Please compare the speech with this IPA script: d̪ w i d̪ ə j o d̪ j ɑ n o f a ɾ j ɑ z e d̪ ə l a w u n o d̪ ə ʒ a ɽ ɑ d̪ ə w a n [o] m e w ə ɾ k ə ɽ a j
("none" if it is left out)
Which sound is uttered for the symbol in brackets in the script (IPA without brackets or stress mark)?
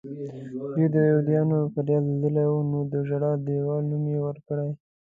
u